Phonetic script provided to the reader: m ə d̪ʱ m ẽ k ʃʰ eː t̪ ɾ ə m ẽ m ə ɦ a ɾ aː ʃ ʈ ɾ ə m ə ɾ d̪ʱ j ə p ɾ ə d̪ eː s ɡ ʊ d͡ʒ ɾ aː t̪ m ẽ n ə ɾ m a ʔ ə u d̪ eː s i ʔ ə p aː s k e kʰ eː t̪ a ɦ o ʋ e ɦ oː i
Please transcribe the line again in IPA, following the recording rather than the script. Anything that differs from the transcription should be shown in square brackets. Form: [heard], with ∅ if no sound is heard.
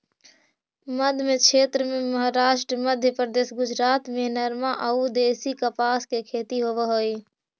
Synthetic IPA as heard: m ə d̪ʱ m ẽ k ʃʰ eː t̪ ɾ ə m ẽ m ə ɦ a ɾ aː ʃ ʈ ɾ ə m ə [∅] d̪ʱ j ə p ɾ ə d̪ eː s ɡ ʊ d͡ʒ ɾ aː t̪ m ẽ n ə ɾ m a ʔ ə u d̪ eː s i [k] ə p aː s k e kʰ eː t̪ [i] ɦ o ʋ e ɦ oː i

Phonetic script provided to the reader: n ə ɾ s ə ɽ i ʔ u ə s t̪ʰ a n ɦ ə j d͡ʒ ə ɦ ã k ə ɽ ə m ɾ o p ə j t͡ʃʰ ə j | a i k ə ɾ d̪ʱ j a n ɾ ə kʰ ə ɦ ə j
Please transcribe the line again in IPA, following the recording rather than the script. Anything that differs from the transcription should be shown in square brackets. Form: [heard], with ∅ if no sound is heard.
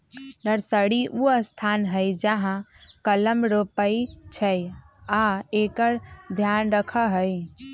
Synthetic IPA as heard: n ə ɾ s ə ɽ i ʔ u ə s t̪ʰ a n ɦ ə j d͡ʒ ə ɦ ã k ə [l] ə m ɾ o p ə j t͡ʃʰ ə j | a [e] k ə ɾ d̪ʱ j a n ɾ ə kʰ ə ɦ ə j

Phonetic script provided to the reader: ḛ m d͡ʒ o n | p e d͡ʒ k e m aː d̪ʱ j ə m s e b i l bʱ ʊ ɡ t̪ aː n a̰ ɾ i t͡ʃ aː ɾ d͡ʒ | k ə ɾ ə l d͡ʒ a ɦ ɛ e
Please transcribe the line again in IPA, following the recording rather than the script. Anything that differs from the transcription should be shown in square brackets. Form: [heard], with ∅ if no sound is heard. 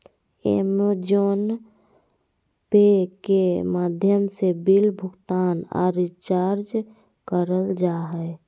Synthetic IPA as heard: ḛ m d͡ʒ o n | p e [∅] k e m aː d̪ʱ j ə m s e b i l bʱ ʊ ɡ t̪ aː n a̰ ɾ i t͡ʃ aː ɾ d͡ʒ | k ə ɾ ə l d͡ʒ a ɦ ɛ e

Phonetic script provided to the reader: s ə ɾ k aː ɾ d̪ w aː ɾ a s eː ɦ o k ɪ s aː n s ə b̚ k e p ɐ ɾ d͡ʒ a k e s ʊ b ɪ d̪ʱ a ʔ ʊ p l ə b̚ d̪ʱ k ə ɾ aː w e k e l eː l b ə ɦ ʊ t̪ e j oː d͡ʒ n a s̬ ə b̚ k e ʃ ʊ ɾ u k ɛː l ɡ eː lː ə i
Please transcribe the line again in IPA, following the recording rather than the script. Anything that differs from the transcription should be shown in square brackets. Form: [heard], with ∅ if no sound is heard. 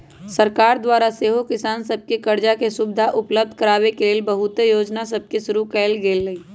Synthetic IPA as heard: s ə ɾ k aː ɾ d̪ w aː ɾ a s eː ɦ o k ɪ s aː n s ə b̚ k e [k] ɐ ɾ d͡ʒ a k e s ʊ b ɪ d̪ʱ a ʔ ʊ p l ə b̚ d̪ʱ k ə ɾ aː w e k e l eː l b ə ɦ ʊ t̪ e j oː d͡ʒ n a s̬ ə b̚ k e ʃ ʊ ɾ u k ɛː l ɡ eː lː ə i

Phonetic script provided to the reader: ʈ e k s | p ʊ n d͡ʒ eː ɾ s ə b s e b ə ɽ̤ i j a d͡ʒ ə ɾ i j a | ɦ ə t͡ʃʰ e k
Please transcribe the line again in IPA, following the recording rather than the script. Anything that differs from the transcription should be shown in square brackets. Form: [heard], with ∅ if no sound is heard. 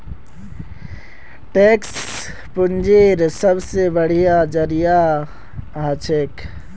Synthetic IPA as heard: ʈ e k s | p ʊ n d͡ʒ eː ɾ s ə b s e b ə ɽ̤ i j a d͡ʒ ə ɾ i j a | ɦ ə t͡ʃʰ e k

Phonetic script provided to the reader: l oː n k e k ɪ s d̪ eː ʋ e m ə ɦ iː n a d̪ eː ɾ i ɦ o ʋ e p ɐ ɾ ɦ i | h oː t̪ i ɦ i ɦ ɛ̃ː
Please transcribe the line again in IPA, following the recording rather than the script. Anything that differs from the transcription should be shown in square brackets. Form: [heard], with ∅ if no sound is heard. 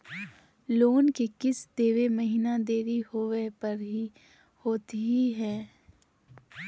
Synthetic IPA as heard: l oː n k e k ɪ s d̪ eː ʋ e m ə ɦ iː n a d̪ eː ɾ i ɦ o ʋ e p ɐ ɾ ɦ i | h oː t̪ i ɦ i ɦ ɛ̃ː

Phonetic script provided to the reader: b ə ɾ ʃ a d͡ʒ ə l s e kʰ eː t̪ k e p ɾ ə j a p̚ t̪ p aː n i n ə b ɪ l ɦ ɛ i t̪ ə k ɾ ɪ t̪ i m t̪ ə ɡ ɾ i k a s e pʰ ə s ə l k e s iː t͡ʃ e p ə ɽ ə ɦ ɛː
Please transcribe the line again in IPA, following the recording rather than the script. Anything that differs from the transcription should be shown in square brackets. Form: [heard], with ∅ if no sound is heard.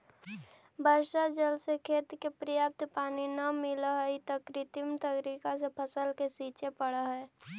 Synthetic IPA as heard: b ə ɾ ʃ a d͡ʒ ə l s e kʰ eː t̪ k e p ɾ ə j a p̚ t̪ p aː n i n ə [m] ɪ l ɦ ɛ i t̪ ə k ɾ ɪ t̪ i m t̪ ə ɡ ɾ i k a s e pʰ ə s ə l k e s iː t͡ʃ e p ə ɽ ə ɦ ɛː

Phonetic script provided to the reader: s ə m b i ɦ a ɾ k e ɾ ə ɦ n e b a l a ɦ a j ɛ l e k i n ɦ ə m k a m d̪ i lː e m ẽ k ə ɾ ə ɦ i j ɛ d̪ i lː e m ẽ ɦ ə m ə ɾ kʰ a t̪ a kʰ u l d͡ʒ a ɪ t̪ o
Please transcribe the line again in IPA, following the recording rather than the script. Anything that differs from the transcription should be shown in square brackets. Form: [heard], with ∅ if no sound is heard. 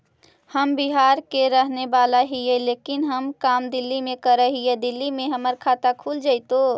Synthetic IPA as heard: [h] ə m b i ɦ a ɾ k e ɾ ə ɦ n e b a l a ɦ [i] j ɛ l e k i n ɦ ə m k a m d̪ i lː [i] m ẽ k ə ɾ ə ɦ i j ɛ d̪ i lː [i] m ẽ ɦ ə m ə ɾ kʰ a t̪ a kʰ u l d͡ʒ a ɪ t̪ o

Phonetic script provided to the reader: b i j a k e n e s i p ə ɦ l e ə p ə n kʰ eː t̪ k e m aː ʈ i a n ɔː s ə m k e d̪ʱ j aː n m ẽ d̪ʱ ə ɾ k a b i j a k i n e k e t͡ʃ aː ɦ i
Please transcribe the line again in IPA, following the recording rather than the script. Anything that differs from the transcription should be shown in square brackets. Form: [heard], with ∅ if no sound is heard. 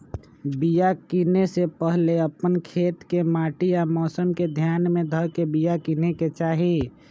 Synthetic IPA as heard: b i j a k [i] n e s [e] p ə ɦ l e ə p ə n kʰ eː t̪ k e m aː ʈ i a [m] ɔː s ə m k e d̪ʱ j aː n m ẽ d̪ʱ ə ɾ k [e] b i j a k i n e k e t͡ʃ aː ɦ i

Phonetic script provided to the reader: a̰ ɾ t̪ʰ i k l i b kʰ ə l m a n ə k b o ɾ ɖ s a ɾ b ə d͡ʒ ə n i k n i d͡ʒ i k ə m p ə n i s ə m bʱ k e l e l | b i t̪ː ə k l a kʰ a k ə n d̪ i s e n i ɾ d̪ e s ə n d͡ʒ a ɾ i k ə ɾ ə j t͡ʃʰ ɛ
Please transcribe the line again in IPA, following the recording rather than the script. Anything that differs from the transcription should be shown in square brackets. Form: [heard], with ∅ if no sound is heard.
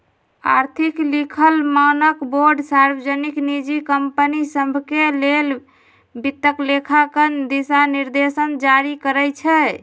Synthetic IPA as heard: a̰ ɾ t̪ʰ i k l i [∅] kʰ ə l m a n ə k b o ɾ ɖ s a ɾ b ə d͡ʒ ə n i k n i d͡ʒ i k ə m p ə n i s ə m bʱ k e l e l | b i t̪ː ə k l [e] kʰ a k ə n d̪ i s [a] n i ɾ d̪ e s ə n d͡ʒ a ɾ i k ə ɾ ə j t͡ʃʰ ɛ

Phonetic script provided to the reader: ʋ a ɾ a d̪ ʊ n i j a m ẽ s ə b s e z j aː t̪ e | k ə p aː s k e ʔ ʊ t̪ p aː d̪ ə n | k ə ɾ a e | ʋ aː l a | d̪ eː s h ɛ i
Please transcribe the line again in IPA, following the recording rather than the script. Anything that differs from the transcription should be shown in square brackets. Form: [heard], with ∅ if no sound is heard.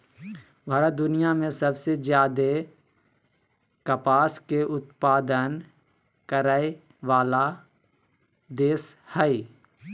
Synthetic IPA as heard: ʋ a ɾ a d̪ ʊ n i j a m ẽ s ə b s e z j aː [d̪] e | k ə p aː s k e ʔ ʊ t̪ p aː d̪ ə n | k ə ɾ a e | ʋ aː l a | d̪ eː s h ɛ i

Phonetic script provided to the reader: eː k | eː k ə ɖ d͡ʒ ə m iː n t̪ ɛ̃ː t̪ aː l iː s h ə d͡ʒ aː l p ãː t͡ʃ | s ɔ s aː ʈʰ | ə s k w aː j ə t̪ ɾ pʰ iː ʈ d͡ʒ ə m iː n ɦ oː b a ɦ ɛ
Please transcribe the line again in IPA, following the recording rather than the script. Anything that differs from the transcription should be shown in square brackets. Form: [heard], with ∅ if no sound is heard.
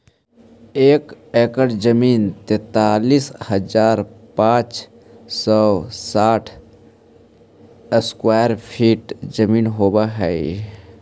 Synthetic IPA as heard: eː k | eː k ə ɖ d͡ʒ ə m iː n t̪ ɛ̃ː t̪ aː l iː s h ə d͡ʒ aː [ɾ] p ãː t͡ʃ | s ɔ s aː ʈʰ | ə s k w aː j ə [∅] ɾ pʰ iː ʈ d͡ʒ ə m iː n ɦ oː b a ɦ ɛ

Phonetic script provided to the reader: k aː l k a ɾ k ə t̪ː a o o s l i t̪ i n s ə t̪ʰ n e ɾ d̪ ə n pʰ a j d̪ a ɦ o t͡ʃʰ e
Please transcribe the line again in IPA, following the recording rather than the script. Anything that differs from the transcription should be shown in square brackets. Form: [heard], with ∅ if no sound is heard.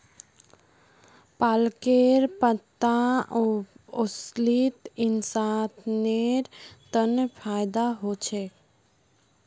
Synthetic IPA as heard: [p] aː l k [e] ɾ [p] ə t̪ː a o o s l i t̪ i n s [a] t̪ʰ n e ɾ [t̪] ə n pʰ a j d̪ a ɦ o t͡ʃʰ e

